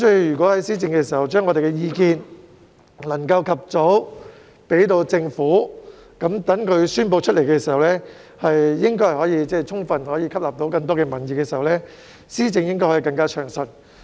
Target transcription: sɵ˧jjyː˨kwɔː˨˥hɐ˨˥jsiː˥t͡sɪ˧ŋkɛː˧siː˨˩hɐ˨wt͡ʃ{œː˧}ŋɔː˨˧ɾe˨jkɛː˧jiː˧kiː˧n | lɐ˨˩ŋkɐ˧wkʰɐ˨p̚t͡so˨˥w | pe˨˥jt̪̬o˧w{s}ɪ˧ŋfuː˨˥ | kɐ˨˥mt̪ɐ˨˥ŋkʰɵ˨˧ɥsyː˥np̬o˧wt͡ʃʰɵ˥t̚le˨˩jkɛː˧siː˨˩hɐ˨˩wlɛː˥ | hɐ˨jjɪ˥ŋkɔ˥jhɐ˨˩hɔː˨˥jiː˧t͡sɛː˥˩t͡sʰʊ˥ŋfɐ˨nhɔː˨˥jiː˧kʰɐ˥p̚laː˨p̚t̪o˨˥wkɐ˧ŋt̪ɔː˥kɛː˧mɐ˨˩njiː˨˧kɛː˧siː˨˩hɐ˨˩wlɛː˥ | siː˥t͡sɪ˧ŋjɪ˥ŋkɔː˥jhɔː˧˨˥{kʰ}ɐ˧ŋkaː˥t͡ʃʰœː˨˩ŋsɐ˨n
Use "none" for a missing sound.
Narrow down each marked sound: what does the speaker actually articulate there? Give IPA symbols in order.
œː˥, t͡s, k

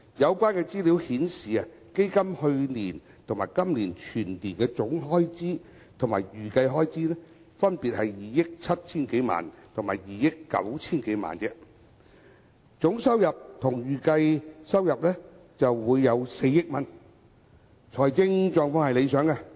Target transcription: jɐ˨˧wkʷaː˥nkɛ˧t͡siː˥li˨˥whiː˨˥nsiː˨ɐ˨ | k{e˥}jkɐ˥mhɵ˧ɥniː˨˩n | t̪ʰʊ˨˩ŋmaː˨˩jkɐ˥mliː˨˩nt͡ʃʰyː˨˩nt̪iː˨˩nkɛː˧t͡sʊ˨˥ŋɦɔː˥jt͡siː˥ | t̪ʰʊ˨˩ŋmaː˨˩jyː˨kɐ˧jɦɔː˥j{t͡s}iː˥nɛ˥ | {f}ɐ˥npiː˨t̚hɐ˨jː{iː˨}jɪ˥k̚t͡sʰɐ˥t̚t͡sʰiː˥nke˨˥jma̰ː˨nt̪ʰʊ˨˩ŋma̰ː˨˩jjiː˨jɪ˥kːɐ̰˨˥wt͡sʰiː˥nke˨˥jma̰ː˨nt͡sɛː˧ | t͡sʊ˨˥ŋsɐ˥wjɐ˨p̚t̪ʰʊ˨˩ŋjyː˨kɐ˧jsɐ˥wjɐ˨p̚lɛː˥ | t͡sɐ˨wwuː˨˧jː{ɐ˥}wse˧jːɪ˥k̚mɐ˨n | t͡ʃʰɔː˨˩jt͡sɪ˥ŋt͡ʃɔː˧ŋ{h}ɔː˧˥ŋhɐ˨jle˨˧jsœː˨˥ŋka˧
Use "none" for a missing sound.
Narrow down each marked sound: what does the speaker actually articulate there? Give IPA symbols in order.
e˥, t͡s, f, iː˨, ɐ˨˧, f

